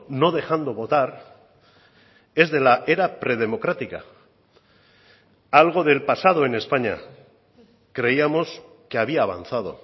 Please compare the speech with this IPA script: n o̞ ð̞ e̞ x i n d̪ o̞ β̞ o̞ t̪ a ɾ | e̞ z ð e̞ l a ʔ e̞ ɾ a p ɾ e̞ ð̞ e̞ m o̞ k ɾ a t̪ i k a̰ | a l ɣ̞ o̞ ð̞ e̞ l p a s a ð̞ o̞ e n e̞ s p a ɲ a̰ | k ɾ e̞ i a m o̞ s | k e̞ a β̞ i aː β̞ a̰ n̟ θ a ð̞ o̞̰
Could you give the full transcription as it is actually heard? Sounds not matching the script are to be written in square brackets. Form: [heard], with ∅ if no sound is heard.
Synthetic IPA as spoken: n o̞ ð̞ e̞ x [a] n d̪ o̞ β̞ o̞ t̪ a ɾ | e̞ z ð e̞ l a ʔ e̞ ɾ a p ɾ e̞ ð̞ e̞ m o̞ k ɾ a t̪ i k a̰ | a l ɣ̞ o̞ ð̞ e̞ l p a s a ð̞ o̞ e n e̞ s p a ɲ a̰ | k ɾ e̞ i a m o̞ s | k e̞ a β̞ i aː β̞ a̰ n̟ θ a ð̞ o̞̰